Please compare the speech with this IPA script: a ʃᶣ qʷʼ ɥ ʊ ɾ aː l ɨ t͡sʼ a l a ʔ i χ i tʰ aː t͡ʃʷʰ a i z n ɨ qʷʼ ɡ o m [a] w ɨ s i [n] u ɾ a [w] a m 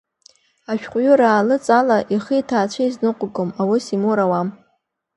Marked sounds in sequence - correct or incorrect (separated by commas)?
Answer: correct, incorrect, correct